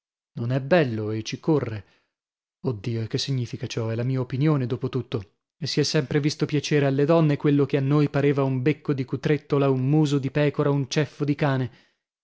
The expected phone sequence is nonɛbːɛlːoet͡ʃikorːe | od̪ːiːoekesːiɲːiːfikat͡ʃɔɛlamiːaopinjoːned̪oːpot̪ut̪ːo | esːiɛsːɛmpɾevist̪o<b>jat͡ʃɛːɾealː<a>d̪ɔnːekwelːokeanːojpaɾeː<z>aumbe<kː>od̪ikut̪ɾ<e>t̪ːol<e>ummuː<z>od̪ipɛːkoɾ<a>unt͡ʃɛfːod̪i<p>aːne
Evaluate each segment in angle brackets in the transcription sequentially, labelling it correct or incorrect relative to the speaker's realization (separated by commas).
incorrect, incorrect, incorrect, correct, correct, incorrect, correct, correct, incorrect